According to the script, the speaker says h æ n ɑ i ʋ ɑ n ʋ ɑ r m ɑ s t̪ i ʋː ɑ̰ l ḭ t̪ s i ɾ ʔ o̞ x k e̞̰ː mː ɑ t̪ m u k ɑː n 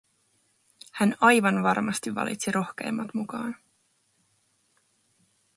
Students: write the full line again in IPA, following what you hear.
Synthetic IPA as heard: h æ n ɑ j ʋ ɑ n ʋ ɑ r m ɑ s t̪ i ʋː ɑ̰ l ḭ t̪ s i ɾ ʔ o̞ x k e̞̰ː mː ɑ t̪ m u k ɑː n